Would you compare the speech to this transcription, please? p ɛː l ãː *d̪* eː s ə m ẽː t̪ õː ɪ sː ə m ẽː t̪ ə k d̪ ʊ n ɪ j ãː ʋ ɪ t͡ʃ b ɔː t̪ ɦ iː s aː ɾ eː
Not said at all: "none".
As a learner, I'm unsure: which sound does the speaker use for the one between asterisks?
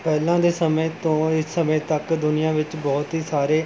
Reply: d̪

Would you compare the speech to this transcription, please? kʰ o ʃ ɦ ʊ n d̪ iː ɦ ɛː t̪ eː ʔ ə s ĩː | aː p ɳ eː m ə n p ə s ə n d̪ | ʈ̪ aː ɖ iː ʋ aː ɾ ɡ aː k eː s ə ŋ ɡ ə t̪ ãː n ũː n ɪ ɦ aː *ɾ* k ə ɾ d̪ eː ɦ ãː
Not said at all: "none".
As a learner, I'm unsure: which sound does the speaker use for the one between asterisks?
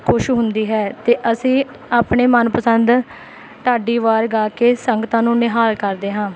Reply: l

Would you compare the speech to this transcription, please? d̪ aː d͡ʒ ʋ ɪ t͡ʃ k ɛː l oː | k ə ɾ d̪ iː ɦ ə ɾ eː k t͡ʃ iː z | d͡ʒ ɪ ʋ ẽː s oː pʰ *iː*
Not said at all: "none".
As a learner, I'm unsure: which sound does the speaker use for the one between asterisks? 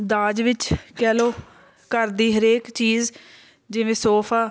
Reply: aː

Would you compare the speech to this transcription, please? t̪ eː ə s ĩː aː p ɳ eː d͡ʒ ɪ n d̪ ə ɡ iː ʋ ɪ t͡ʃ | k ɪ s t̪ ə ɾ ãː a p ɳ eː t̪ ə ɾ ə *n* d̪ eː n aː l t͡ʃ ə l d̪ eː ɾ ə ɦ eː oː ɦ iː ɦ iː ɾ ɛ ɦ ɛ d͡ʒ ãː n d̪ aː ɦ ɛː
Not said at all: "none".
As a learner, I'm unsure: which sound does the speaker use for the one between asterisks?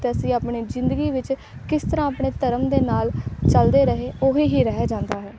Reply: m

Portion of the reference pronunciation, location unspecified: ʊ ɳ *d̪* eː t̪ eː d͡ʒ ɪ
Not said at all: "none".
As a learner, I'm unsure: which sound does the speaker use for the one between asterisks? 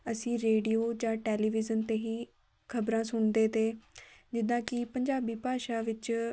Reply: d̪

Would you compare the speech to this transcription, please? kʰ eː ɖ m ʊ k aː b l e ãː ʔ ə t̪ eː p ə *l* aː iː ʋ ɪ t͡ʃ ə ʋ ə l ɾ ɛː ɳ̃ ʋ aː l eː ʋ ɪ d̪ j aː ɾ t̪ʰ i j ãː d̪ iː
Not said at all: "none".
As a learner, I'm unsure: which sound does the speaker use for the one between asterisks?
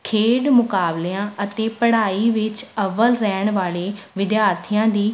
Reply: ɽ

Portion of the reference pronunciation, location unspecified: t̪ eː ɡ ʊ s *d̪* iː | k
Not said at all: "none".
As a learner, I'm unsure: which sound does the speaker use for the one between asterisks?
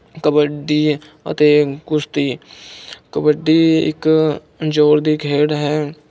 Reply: t̪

